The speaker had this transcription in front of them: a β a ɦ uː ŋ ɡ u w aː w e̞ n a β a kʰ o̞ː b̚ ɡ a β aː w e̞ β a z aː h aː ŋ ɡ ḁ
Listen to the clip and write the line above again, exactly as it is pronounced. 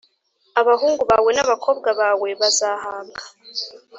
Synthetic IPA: a β a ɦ uː ŋ ɡ u β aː w e̞ n a β a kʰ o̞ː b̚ ɡ a β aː w e̞ β a z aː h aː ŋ ɡ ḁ